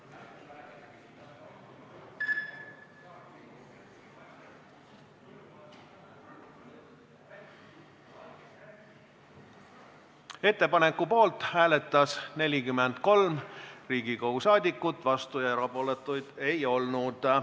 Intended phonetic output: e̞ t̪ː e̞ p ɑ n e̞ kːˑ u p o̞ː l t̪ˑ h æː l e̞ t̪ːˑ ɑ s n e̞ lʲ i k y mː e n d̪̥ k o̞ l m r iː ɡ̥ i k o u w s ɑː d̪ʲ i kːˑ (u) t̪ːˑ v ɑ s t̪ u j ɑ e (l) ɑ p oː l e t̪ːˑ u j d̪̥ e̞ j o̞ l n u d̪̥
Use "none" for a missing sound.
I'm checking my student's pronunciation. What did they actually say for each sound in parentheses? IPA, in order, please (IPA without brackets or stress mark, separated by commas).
u, ɾ